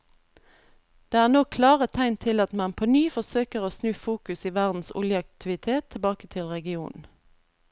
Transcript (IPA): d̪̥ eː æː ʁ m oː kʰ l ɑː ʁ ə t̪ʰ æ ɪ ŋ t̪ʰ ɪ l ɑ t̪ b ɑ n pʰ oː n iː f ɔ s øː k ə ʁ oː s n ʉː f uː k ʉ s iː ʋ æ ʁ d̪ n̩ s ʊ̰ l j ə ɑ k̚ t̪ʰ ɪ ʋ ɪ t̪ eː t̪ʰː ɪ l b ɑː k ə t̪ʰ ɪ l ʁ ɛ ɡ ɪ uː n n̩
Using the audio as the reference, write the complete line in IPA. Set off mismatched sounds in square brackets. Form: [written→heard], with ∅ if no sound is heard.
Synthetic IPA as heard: d̪̥ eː æː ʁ [m→n] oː kʰ l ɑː ʁ ə t̪ʰ æ ɪ [ŋ→n] t̪ʰ ɪ l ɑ t̪ [b→m] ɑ n pʰ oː n [iː→yː] f ɔ s øː k ə ʁ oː s n ʉː f uː k ʉ s iː ʋ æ ʁ d̪ n̩ s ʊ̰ l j ə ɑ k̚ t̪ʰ ɪ ʋ ɪ [t̪→t̪ʰ] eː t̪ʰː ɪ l b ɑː k ə t̪ʰ ɪ l ʁ ɛ ɡ ɪ uː n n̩